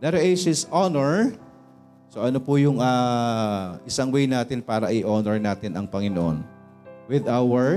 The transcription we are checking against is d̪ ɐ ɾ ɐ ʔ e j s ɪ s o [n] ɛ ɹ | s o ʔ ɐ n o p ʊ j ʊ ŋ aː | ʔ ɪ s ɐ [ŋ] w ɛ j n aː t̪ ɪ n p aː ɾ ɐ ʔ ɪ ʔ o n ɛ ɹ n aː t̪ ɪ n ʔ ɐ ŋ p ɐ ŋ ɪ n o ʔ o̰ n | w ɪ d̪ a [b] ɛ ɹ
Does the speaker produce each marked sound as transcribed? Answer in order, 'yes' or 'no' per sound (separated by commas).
yes, yes, no